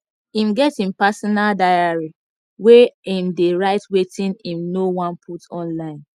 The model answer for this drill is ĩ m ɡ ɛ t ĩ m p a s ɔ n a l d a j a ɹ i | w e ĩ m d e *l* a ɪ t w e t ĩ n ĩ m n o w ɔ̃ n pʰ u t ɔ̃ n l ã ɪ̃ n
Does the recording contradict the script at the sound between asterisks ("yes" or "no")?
yes